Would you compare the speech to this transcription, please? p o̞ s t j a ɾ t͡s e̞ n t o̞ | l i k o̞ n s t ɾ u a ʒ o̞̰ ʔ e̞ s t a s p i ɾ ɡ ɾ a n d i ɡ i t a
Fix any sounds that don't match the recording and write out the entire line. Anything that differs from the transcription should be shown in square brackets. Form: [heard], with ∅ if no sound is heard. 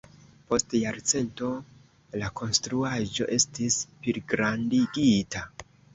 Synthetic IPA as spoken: p o̞ s t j a ɾ t͡s e̞ n t o̞ | l [a] k o̞ n s t ɾ u a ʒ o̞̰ ʔ e̞ s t [i] s p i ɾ ɡ ɾ a n d i ɡ i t a